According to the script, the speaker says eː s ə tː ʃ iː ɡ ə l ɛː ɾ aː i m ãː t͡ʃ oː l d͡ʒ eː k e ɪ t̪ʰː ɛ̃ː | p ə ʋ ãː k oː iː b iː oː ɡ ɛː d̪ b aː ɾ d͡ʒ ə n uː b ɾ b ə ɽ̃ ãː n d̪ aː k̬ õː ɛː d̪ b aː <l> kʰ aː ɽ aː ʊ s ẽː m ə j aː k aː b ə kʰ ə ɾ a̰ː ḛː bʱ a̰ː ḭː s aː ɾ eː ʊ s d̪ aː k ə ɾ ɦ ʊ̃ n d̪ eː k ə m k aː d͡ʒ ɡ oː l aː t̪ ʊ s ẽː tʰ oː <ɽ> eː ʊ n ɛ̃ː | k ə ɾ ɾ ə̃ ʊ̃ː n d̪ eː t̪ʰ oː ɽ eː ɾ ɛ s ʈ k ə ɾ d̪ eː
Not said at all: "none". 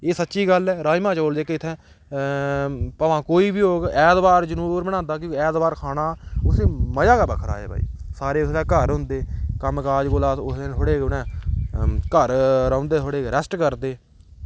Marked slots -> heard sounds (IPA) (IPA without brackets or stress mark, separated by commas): ɾ, ɽ